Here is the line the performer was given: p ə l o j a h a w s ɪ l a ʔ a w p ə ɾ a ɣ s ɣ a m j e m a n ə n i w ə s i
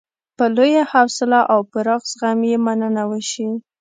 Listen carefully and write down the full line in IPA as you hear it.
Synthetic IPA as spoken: p ə l o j a h a w s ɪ l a ʔ a w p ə ɾ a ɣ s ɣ a m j e m a n ə n a w ə ʃ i